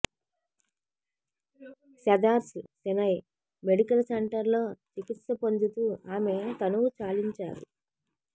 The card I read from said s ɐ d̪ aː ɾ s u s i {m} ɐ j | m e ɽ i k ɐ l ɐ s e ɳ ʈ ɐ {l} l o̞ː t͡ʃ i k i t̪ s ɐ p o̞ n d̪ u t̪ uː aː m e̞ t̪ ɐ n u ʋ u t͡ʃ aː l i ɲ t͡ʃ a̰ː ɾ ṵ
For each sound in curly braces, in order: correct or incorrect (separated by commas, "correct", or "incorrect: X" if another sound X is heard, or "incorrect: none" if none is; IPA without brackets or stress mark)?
incorrect: n, incorrect: ɾ